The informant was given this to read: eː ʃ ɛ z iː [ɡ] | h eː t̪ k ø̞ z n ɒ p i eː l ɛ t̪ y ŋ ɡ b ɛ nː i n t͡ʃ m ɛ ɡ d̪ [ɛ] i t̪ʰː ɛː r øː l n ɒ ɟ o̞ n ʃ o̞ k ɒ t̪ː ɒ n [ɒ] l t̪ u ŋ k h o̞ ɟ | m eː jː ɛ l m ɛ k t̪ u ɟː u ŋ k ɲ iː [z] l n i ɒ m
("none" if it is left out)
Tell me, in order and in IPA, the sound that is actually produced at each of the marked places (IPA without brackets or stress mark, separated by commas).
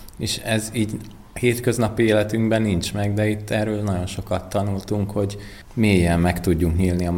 ɟ, ɛ, u, none